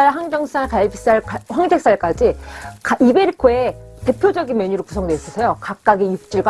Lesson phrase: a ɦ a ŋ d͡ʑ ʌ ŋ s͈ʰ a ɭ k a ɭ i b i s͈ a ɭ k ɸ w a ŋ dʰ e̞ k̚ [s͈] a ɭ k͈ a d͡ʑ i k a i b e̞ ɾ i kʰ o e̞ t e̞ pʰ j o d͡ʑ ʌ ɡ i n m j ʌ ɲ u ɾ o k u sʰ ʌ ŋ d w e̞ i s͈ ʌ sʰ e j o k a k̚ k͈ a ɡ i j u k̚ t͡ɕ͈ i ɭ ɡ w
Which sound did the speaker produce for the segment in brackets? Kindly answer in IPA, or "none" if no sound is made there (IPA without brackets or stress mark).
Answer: s͈